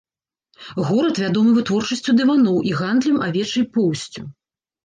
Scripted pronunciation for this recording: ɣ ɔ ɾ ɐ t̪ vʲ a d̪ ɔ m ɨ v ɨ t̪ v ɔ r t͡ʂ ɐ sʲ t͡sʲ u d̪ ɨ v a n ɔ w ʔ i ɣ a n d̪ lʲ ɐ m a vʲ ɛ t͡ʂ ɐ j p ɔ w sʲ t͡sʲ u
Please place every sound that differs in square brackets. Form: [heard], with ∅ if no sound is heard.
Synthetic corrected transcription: ɣ ɔ ɾ ɐ t̪ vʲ a d̪ ɔ m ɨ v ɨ t̪ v ɔ r t͡ʂ ɐ sʲ t͡sʲ u d̪ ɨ v a n ɔ w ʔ i ɣ a n d̪ lʲ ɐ m a vʲ ɛ t͡ʂ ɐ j p ɔ w sʲ t͡sʲ u